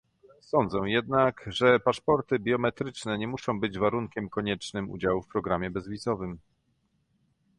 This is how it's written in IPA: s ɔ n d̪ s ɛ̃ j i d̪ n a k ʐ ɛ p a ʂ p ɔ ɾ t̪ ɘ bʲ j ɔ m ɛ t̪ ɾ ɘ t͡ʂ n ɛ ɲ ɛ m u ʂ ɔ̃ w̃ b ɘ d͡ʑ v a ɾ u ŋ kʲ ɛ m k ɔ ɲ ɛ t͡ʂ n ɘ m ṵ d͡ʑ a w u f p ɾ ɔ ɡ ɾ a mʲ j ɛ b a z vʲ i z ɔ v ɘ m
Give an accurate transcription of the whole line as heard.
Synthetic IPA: s ɔ n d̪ z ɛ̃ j ɛ d̪ n a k ʐ ɛ p a ʂ p ɔ ɾ t̪ ɘ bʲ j ɔ m ɛ t̪ ɾ ɘ t͡ʂ n ɛ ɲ ɛ m u ʂ ɔ̃ w̃ b ɘ d͡ʑ v a ɾ u ŋ kʲ ɛ m k ɔ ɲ ɛ t͡ʂ n ɘ m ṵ d͡ʑ a w u f p ɾ ɔ ɡ ɾ a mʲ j ɛ b ɛ z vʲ i z ɔ v ɘ m

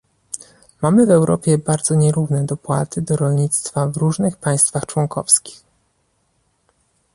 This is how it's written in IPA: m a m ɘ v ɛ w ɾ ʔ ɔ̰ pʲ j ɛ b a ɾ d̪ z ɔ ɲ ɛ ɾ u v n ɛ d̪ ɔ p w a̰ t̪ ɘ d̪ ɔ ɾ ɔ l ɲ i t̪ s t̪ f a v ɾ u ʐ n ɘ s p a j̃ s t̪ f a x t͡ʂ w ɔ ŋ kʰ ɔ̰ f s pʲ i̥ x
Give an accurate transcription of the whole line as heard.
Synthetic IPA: m a m ɘ v ɛ w ɾ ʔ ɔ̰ pʲ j ɛ b a ɾ d̪ z ɔ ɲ ɛ ɾ u v n ɛ d̪ ɔ p w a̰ t̪ ɘ d̪ ɔ ɾ ɔ l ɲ i t̪ s t̪ f a v ɾ u ʐ n ɘ x p a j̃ s t̪ f a x t͡ʂ w ɔ ŋ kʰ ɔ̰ f s kʲ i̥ x

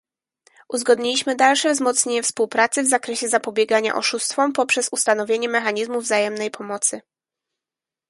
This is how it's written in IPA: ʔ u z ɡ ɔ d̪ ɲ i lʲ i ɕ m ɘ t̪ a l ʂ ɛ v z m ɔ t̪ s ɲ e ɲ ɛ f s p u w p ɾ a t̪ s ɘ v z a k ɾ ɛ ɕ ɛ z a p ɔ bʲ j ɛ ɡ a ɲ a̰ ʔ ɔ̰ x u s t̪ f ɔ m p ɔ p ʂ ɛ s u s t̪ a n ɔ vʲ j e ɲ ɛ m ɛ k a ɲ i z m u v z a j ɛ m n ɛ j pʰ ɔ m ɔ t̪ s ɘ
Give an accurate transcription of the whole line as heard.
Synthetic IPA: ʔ u z ɡ ɔ d̪ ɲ i lʲ i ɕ m ɘ d̪ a l ʂ ɛ v z m ɔ t̪ s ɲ e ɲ ɛ f s p u w p ɾ a t̪ s ɘ v z a k ɾ ɛ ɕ ɛ z a p ɔ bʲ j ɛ ɡ a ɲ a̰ ʔ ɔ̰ ʂ u s t̪ f ɔ m p ɔ p ʂ ɛ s u s t̪ a n ɔ vʲ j e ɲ ɛ m ɛ x a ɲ i z m u v z a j ɛ m n ɛ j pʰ ɔ m ɔ t̪ s ɘ

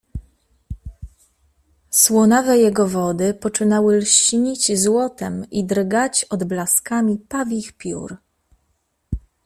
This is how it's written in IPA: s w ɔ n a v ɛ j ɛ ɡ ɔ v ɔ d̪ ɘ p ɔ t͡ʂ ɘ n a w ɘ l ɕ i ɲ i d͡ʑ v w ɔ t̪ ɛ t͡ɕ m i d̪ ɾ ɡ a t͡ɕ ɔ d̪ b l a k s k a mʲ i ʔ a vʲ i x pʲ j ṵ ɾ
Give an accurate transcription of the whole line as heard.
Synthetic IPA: s w ɔ n a v ɛ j ɛ ɡ ɔ v ɔ d̪ ɘ p ɔ t͡ʂ ɘ n a w ɘ l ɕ i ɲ i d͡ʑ z w ɔ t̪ ɛ m i d̪ ɾ ɡ a t͡ɕ ɔ d̪ b l a s k a mʲ i p a vʲ i x pʲ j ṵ ɾ

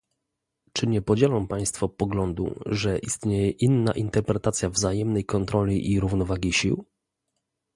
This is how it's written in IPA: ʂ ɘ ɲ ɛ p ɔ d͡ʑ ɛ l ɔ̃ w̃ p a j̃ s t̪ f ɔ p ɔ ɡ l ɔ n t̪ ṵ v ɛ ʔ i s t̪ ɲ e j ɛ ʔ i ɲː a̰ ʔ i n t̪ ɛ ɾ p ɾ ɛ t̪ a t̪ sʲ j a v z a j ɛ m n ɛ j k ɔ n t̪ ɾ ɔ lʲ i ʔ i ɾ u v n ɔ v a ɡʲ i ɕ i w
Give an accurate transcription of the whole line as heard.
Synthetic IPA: t͡ʂ ɘ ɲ ɛ p ɔ d͡ʑ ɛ l ɔ̃ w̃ p a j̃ s t̪ f ɔ p ɔ ɡ l ɔ n d̪ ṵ ʐ ɛ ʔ i s t̪ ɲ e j ɛ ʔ i nː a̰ ʔ i n t̪ ɛ ɾ p ɾ ɛ t̪ a t̪ sʲ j a v z a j ɛ m n ɛ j k ɔ n t̪ ɾ ɔ lʲ i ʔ i ɾ u v n ɔ v a ɡʲ i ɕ i w

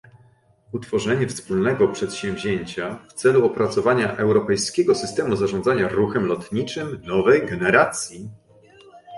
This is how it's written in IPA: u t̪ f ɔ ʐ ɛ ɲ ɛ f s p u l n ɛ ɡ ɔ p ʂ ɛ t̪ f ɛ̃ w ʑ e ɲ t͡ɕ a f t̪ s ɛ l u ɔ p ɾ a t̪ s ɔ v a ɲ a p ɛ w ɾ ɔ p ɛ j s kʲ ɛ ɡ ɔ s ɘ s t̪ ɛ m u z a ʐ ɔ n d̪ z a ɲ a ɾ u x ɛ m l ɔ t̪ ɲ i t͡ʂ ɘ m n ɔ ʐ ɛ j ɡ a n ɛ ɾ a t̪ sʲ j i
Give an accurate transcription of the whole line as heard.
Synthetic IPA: u t̪ f ɔ ʐ ɛ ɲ ɛ f s p u l n ɛ ɡ ɔ p ʂ ɛ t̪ ɕ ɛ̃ v ʑ e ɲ t͡ɕ a f t̪ s ɛ l u ɔ p ɾ a t̪ s ɔ v a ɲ a ʔ ɛ w ɾ ɔ p ɛ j s kʲ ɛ ɡ ɔ s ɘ s t̪ ɛ m u z a ʐ ɔ n d̪ z a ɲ a ɾ u x ɛ m l ɔ t̪ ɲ i t͡ʂ ɘ m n ɔ v ɛ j ɡ ɛ n ɛ ɾ a t̪ sʲ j i

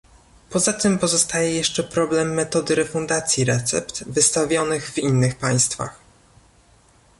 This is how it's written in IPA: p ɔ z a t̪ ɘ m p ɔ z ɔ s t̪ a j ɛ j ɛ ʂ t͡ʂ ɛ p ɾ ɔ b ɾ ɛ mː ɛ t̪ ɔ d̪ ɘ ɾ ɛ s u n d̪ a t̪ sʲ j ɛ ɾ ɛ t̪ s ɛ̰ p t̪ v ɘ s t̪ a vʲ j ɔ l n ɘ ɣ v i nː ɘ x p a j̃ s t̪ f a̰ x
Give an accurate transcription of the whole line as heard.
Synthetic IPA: p ɔ z a t̪ ɘ m p ɔ z ɔ s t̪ a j ɛ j ɛ ʂ t͡ʂ ɛ p ɾ ɔ b l ɛ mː ɛ t̪ ɔ d̪ ɘ ɾ ɛ f u n d̪ a t̪ sʲ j i ɾ ɛ t̪ s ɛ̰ p t̪ v ɘ s t̪ a vʲ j ɔ n ɘ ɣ v i nː ɘ x p a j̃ s t̪ f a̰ x

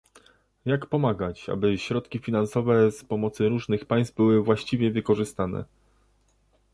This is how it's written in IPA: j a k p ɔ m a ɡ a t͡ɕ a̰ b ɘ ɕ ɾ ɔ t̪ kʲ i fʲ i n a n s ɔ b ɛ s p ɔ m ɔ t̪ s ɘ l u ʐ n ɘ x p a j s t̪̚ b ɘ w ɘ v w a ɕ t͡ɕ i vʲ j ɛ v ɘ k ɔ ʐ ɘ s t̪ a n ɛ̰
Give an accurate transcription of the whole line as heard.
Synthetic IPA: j a k p ɔ m a ɡ a t͡ɕ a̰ b ɘ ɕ ɾ ɔ t̪ kʲ i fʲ i n a n s ɔ v ɛ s p ɔ m ɔ t̪ s ɘ ɾ u ʐ n ɘ x p a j s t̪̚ b ɘ w ɘ v w a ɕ t͡ɕ i vʲ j ɛ v ɘ k ɔ ʐ ɘ s t̪ a n ɛ̰

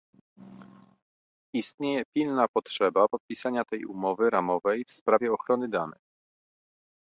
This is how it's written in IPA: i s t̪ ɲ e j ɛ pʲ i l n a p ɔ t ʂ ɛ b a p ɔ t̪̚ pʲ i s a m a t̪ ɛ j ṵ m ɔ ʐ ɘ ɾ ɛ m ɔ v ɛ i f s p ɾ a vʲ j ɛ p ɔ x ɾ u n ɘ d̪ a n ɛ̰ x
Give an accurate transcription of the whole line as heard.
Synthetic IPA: i s t̪ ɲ e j ɛ pʲ i l n a p ɔ t ʂ ɛ b a p ɔ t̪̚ pʲ i s a ɲ a t̪ ɛ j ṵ m ɔ v ɘ ɾ a m ɔ v ɛ j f s p ɾ a vʲ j ɛ ɔ x ɾ ɔ n ɘ d̪ a n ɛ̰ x

